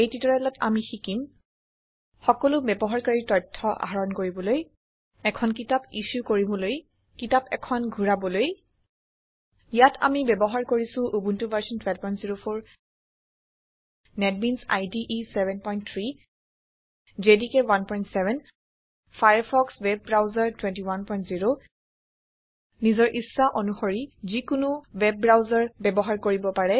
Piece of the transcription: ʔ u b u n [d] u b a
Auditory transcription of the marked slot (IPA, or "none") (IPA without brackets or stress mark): t